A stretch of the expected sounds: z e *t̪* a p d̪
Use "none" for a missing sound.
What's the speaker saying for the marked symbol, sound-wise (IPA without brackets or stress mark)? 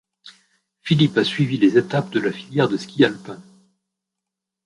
t̪